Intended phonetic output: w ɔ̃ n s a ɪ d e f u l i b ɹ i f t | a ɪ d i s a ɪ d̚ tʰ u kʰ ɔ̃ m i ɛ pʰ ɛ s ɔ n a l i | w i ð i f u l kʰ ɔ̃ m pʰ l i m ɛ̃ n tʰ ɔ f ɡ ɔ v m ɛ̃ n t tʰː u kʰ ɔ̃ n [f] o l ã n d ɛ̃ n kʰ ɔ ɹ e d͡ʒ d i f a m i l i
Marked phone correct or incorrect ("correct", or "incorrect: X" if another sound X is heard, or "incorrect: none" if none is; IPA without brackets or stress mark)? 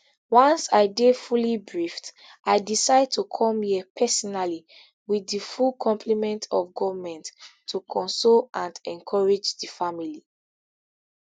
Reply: incorrect: s